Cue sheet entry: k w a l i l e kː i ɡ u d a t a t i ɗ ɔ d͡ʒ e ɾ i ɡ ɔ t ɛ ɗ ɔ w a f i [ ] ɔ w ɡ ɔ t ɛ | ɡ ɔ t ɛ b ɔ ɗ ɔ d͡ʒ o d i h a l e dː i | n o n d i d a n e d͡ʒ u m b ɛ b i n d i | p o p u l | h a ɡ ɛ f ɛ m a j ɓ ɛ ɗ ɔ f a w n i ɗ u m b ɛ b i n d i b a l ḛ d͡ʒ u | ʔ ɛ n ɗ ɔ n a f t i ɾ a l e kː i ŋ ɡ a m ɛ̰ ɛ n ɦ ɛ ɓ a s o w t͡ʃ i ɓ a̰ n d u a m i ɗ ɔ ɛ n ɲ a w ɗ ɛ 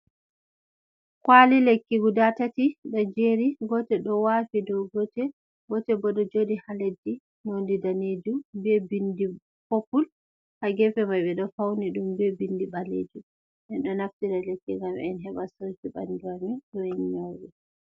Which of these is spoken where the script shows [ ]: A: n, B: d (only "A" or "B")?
B